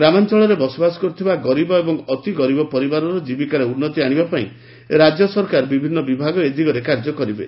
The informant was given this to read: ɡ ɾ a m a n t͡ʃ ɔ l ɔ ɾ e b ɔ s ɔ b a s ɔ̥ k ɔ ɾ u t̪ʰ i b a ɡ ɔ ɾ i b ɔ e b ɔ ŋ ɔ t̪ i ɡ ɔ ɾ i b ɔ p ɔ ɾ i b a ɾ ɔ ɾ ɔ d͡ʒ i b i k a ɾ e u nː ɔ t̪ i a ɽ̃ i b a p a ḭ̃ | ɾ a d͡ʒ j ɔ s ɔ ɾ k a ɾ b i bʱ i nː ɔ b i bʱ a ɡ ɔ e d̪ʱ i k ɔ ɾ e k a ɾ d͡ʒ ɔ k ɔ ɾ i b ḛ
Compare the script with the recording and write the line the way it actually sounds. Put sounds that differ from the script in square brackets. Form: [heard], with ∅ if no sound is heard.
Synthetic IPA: ɡ ɾ a m a n t͡ʃ ɔ [ɭ] ɔ ɾ e b ɔ s ɔ b a s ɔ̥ k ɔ ɾ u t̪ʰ i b a ɡ ɔ ɾ i b ɔ e b ɔ ŋ ɔ t̪ i ɡ ɔ ɾ i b ɔ p ɔ ɾ i b a ɾ ɔ ɾ ɔ d͡ʒ i b i k a ɾ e u nː ɔ t̪ i a ɽ̃ i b a p a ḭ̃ | ɾ a d͡ʒ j ɔ s ɔ ɾ k a ɾ b i bʱ i nː ɔ b i bʱ a ɡ ɔ e d̪ʱ i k ɔ ɾ e k a ɾ d͡ʒ ɔ k ɔ ɾ i b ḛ